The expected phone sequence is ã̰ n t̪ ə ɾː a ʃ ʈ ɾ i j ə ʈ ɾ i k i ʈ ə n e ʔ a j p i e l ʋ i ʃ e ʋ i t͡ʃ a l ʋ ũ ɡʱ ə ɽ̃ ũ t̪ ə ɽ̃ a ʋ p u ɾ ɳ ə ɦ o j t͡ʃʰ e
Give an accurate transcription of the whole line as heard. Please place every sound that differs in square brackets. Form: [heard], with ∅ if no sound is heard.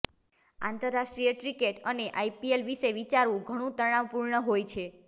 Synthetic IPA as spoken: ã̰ n t̪ ə ɾː a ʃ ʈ ɾ i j ə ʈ ɾ i k [e] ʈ ə n e ʔ a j p i e l ʋ i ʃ e ʋ i t͡ʃ a [ɾ] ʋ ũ ɡʱ ə ɽ̃ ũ t̪ ə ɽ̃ a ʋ p u ɾ ɳ ə ɦ o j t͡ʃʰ e